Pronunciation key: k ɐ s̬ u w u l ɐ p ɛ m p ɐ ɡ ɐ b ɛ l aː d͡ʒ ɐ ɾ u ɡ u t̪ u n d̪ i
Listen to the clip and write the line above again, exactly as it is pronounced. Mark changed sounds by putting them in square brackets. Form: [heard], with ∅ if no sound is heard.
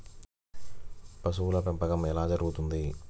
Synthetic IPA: [p] ɐ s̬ u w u l ɐ p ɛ m p ɐ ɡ ɐ [m] ɛ l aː d͡ʒ ɐ ɾ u ɡ u t̪ u n d̪ i